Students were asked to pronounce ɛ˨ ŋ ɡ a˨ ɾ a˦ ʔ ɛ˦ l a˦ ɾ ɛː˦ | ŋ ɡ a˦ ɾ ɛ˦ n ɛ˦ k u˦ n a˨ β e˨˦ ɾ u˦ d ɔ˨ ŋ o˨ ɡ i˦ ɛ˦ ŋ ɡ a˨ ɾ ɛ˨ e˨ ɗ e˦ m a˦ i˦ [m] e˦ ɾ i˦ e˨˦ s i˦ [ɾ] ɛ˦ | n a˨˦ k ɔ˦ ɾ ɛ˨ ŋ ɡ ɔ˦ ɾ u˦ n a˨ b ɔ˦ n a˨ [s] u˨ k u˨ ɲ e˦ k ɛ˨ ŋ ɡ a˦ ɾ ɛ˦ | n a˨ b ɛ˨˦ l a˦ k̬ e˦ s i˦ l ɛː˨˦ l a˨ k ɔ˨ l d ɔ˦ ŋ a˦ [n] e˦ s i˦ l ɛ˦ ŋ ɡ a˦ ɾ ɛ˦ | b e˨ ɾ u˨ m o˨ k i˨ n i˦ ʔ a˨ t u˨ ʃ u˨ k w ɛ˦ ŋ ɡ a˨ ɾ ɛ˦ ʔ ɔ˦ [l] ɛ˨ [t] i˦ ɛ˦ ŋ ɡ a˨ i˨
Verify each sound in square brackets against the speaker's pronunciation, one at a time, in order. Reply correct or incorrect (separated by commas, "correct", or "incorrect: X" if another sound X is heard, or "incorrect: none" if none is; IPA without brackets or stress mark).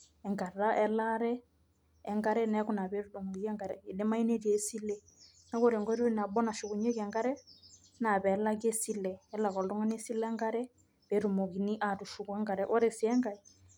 incorrect: n, incorrect: l, incorrect: ʃ, correct, incorrect: ɾ, incorrect: s